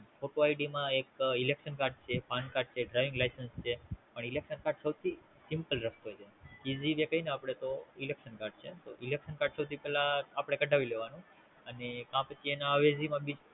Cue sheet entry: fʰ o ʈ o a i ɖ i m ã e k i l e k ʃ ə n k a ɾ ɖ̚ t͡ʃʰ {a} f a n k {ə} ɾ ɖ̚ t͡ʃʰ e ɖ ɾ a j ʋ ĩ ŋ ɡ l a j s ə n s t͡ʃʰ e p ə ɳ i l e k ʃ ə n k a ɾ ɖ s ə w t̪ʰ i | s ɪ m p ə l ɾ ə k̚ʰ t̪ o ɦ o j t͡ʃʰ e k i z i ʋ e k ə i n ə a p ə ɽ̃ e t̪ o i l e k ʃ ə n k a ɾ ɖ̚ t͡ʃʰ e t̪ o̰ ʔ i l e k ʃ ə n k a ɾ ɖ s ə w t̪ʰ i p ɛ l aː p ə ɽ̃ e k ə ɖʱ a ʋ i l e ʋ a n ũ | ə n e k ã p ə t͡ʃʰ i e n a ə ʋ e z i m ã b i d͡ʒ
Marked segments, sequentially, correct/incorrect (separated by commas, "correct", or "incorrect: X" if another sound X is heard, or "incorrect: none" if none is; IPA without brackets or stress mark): incorrect: e, incorrect: a